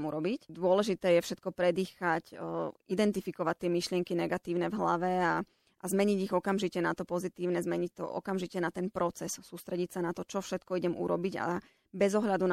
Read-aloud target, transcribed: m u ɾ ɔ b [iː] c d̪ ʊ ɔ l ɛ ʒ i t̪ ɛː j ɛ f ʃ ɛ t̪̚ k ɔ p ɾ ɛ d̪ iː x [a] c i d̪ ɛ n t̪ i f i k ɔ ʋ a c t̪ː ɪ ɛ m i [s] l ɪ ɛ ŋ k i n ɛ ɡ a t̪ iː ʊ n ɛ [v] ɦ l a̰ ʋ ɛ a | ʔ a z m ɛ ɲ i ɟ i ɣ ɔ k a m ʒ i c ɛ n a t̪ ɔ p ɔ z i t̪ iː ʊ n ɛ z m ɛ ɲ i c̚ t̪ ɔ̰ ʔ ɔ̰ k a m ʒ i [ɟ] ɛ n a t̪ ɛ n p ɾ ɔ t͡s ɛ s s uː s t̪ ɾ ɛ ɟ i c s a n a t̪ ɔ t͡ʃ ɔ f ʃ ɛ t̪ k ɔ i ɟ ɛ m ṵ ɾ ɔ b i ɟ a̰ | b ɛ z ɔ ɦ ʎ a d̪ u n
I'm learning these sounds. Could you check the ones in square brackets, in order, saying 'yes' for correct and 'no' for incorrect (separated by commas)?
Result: no, yes, no, yes, no